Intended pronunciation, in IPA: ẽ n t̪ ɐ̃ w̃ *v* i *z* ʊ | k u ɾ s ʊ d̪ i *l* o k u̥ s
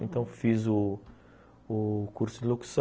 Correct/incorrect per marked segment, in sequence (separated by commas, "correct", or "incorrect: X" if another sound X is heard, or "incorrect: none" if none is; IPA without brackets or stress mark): incorrect: f, correct, correct